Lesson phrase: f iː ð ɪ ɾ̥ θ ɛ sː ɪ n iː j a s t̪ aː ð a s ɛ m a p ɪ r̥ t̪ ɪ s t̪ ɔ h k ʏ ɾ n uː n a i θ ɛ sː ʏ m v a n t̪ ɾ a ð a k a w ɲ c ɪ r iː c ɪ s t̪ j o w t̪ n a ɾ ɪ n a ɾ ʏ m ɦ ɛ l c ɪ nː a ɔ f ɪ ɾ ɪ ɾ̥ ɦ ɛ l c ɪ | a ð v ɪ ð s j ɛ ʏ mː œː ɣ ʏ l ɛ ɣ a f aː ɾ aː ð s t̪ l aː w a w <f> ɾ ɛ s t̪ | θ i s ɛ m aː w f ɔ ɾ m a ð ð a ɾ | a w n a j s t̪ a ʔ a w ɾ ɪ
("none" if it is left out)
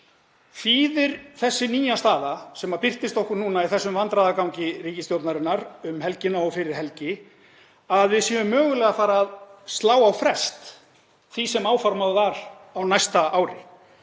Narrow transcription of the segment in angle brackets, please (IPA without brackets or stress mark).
f